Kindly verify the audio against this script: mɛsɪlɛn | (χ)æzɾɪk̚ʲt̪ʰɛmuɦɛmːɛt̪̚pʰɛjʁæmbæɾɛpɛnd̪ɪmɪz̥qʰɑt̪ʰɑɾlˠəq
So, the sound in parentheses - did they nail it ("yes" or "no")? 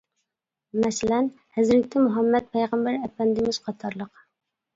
no